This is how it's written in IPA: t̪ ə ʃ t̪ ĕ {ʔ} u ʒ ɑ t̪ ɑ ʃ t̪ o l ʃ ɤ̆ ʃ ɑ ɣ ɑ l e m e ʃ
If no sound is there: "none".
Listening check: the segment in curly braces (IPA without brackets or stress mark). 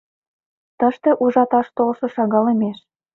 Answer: ʔ